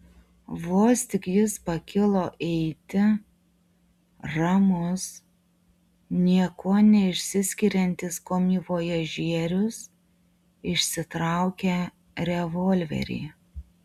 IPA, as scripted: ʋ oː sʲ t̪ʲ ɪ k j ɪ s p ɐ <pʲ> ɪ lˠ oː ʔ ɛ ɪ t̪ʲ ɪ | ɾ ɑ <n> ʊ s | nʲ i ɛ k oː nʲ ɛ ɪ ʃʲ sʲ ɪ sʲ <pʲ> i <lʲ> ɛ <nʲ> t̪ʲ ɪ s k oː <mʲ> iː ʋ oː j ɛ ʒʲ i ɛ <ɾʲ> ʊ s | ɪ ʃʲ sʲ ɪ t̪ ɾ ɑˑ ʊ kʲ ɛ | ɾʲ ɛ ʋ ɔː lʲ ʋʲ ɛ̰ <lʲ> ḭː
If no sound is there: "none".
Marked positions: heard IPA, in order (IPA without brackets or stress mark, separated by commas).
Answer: kʲ, m, kʲ, ɾʲ, nʲ, mʲ, ɾʲ, ɾʲ